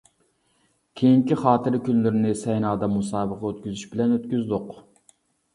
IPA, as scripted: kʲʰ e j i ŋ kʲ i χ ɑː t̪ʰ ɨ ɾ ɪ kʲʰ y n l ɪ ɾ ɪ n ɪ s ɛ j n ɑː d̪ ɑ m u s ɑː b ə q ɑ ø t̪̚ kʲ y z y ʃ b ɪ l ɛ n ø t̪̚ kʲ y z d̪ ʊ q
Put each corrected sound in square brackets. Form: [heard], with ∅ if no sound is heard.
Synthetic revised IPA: kʲʰ e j i ŋ kʲ i χ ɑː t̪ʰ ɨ ɾ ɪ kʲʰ y n l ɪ ɾ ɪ n ɪ s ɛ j n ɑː d̪ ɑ m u s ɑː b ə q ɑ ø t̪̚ kʲ y z y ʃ b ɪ l ɛ n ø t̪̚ kʲ y z d̪ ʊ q